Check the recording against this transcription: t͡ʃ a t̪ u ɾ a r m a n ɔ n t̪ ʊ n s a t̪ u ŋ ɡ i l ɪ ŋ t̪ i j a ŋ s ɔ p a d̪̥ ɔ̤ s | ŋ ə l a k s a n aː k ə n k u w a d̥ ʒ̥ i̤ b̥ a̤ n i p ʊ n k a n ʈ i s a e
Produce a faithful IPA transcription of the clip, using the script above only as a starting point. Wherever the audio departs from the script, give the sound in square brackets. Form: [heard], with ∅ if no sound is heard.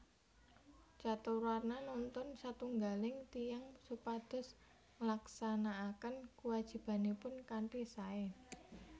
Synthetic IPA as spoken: t͡ʃ a t̪ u ɾ a r [n] a n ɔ n t̪ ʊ n s a t̪ u ŋ ɡ [a] l ɪ ŋ t̪ i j a ŋ s [u] p a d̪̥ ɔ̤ s | ŋ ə l a k s a n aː k ə n k u w a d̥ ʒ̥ i̤ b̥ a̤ n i p ʊ n k a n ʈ i s a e